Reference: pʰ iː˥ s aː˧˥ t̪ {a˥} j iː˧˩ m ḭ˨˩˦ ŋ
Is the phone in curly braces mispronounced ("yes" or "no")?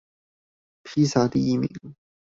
yes